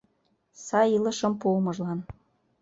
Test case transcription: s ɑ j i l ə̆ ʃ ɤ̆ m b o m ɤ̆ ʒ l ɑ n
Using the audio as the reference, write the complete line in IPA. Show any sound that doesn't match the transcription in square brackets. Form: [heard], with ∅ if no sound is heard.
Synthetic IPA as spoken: s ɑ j i l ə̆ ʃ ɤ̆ m [p] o m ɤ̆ ʒ l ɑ n